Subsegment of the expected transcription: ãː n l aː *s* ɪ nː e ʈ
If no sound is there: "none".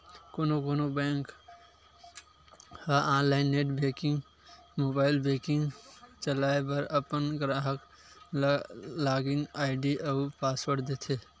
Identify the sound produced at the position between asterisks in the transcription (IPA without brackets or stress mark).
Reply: none